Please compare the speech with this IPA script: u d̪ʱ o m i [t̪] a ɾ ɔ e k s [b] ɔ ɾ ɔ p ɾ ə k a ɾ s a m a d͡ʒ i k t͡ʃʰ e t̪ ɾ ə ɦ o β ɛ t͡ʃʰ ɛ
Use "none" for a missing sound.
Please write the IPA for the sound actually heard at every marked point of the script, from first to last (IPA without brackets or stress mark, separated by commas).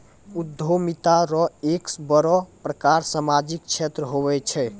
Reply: t̪, b